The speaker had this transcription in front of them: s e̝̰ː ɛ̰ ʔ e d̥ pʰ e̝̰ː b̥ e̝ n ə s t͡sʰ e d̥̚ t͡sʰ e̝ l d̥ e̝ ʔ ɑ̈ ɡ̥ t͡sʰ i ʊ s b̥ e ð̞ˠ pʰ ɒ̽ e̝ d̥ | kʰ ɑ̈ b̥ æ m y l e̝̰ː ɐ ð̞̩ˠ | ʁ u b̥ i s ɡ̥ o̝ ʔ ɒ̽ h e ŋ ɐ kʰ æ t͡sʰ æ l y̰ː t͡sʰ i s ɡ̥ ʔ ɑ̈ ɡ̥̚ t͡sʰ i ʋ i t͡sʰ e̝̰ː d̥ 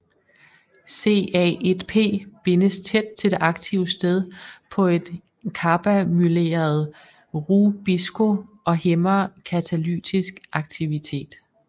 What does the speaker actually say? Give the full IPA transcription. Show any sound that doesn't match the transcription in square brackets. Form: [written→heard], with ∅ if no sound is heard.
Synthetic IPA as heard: s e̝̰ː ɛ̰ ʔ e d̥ pʰ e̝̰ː b̥ e̝ n ə s t͡sʰ e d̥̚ t͡sʰ e̝ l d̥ e̝ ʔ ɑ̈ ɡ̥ t͡sʰ i ʊ s [b̥→d̥] e ð̞ˠ pʰ ɒ̽ e̝ d̥ | kʰ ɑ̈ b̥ æ m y l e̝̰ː ɐ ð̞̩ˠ | ʁ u b̥ i s ɡ̥ o̝ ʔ ɒ̽ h e [ŋ→m] ɐ kʰ æ t͡sʰ æ l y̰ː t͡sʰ i s ɡ̥ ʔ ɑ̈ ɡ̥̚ t͡sʰ i ʋ i t͡sʰ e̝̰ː d̥

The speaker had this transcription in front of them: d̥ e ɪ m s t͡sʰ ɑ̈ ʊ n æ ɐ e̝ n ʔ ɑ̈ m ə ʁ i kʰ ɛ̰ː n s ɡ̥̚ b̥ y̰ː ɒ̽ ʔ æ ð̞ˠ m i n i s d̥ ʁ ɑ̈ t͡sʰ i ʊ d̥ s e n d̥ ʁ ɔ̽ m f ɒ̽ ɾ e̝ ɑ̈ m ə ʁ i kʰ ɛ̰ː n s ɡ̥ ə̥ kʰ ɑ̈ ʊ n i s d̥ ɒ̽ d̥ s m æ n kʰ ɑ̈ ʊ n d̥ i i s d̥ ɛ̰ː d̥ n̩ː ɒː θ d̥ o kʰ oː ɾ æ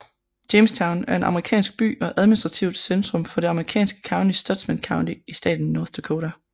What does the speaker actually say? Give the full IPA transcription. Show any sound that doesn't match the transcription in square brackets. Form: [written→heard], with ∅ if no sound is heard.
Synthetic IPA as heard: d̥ e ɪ m s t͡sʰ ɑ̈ ʊ n æ ɐ e̝ n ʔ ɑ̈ m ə ʁ i kʰ ɛ̰ː n s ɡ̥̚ b̥ y̰ː ɒ̽ ʔ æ ð̞ˠ m i n i s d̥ ʁ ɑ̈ t͡sʰ i ʊ d̥ s e n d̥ ʁ ɔ̽ m f ɒ̽ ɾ e̝ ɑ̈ m ə ʁ i kʰ ɛ̰ː n s ɡ̥ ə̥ kʰ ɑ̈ ʊ n i s d̥ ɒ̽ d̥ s m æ n kʰ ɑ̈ ʊ n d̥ i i s d̥ ɛ̰ː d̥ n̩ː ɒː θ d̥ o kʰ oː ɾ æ

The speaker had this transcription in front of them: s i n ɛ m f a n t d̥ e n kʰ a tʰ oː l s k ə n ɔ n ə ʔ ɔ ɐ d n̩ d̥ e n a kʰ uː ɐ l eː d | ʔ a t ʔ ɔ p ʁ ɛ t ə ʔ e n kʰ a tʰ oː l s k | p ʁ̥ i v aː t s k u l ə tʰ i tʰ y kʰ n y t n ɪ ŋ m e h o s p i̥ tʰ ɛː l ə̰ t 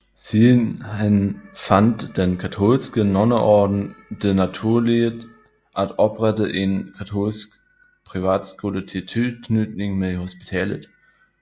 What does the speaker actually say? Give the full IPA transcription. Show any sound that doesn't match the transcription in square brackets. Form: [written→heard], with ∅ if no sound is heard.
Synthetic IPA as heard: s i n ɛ [m→n] f a n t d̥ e n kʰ a tʰ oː l s k ə n ɔ n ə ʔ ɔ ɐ d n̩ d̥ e n a [kʰ→tʰ] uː ɐ l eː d | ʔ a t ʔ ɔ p ʁ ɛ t ə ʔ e n kʰ a tʰ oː l s k | p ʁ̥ i v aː t s k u l ə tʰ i tʰ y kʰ n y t n ɪ ŋ m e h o s p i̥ tʰ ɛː l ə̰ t

